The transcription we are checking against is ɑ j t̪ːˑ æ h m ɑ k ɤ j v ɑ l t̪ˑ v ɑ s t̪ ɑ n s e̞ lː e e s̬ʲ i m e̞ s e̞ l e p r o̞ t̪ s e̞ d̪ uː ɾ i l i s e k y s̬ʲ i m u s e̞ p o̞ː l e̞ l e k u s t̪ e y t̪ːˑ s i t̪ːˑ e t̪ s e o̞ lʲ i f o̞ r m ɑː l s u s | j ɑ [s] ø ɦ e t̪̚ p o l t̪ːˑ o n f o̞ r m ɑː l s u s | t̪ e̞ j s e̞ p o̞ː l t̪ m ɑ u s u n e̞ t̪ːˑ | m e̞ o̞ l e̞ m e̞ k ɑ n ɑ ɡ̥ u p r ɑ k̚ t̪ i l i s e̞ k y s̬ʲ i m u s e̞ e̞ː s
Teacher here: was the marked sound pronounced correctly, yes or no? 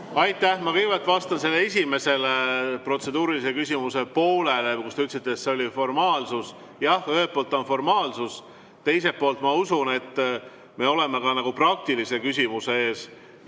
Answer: no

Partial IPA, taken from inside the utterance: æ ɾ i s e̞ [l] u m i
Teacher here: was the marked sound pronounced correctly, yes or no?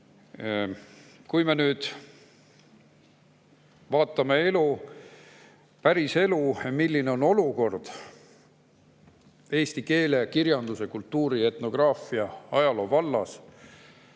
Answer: yes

